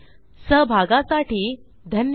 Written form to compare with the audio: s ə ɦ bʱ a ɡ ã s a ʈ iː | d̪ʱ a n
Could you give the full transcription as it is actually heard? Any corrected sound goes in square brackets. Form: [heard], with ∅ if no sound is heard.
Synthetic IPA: s ə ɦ bʱ a ɡ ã s a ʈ iː | d̪ʱ [ə] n